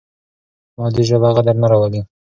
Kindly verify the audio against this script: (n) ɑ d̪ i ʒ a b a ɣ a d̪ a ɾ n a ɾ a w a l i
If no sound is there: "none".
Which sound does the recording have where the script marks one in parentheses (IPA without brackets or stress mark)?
m